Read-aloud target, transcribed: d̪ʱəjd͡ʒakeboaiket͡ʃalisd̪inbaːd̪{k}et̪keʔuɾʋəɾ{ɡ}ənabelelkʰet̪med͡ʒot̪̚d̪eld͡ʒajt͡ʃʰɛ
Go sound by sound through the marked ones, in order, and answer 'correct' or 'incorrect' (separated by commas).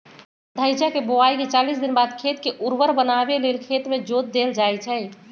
incorrect, incorrect